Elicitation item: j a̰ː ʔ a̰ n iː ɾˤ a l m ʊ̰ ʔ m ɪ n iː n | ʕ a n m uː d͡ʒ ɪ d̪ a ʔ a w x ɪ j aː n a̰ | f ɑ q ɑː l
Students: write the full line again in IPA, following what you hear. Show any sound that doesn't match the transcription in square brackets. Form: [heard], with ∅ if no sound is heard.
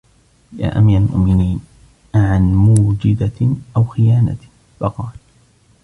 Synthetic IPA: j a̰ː ʔ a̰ [m] iː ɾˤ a l m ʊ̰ ʔ m ɪ n iː n | ʕ a n m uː d͡ʒ ɪ d̪ a ʔ a w x ɪ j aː n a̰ | f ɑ q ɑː l